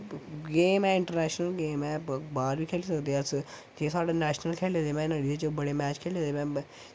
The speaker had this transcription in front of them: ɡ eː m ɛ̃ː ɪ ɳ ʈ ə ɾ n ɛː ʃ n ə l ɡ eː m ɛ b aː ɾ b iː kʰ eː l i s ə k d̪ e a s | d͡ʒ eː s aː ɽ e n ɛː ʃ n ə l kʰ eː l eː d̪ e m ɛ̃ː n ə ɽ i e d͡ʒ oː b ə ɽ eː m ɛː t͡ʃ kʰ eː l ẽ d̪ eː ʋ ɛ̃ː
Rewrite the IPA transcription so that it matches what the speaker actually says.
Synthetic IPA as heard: ɡ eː m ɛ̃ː ɪ ɳ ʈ ə ɾ n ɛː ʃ n ə l ɡ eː m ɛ b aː ɾ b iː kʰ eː l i s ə k d̪ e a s | d͡ʒ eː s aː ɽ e n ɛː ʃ n ə l kʰ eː l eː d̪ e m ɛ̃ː n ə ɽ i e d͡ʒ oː b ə ɽ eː m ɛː t͡ʃ kʰ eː l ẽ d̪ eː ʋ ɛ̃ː